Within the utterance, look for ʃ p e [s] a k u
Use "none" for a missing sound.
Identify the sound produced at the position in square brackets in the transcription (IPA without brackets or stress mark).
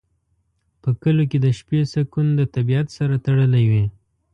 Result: s